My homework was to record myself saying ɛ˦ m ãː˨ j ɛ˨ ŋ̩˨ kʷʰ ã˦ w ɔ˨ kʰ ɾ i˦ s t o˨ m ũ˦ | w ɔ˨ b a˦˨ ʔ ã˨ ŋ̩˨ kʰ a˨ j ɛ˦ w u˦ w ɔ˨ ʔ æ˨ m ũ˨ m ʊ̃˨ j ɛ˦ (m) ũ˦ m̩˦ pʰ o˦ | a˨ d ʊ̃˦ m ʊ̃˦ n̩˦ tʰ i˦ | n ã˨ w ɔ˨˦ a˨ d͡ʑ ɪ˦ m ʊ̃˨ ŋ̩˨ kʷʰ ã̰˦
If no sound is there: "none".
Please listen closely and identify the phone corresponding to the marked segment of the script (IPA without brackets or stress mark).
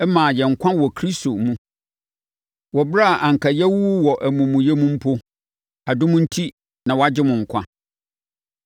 m